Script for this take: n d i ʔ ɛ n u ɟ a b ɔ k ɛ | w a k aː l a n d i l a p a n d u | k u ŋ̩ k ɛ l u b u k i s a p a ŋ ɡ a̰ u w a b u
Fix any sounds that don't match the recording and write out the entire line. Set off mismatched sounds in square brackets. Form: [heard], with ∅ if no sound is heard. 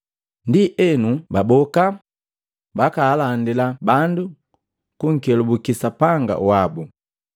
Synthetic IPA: n d i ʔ ɛ n u [b] a b ɔ k [a] | [b] a k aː l a n d i l a [b] a n d u | k u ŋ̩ k ɛ l u b u k i s a p a ŋ ɡ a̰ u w a b u